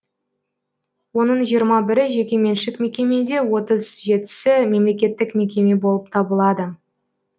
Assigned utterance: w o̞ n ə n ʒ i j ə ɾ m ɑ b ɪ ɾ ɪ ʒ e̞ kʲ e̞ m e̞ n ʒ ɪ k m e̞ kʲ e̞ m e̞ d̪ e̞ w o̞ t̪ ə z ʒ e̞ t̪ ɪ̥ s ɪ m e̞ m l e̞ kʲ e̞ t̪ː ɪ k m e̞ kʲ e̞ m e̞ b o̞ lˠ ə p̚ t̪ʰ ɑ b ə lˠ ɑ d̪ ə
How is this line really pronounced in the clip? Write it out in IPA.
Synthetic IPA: w o̞ n ə ɴ ʒ i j ə ɾ m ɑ b ɪ ɾ ɪ ʒ e̞ kʲ e̞ m e̞ n ʃ ɪ k m e̞ kʲ e̞ m e̞ d̪ e̞ w o̞ t̪ ə z ʒ e̞ t̪ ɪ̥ s ɪ m e̞ m l e̞ kʲ e̞ t̪ː ɪ k m e̞ kʲ e̞ m e̞ b o̞ lˠ ə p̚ t̪ʰ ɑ b ə lˠ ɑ d̪ ə